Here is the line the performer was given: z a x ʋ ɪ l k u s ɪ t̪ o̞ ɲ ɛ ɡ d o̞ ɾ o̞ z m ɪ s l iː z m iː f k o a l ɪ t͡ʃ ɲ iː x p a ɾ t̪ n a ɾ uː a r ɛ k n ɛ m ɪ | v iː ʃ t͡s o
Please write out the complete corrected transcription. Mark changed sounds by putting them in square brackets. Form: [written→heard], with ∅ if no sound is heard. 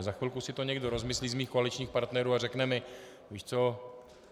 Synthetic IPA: z a x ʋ ɪ l k u s ɪ t̪ o̞ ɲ ɛ ɡ d o̞ ɾ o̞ z m ɪ s l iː z m iː [f→x] k o a l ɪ t͡ʃ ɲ iː x p a ɾ t̪ n [a→ɛ] ɾ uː a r ɛ k n ɛ m ɪ | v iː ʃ t͡s o